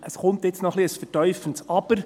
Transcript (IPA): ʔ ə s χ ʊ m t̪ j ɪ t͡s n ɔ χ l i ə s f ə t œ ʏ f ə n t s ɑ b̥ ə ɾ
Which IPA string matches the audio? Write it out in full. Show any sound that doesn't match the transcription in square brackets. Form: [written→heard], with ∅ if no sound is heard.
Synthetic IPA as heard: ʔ ə s χ ʊ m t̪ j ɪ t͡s n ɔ χ l i ə s f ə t œ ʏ f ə n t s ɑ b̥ ə ɾ